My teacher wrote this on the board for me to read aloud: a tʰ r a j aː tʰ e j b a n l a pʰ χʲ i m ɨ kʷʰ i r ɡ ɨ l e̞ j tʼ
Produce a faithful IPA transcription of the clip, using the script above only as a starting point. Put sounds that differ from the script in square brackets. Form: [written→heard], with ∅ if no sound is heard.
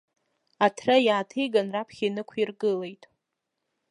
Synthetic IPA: a tʰ r a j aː tʰ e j [b→ɡ] a n [l→r] a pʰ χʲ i [m→n] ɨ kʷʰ i r ɡ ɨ l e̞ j tʼ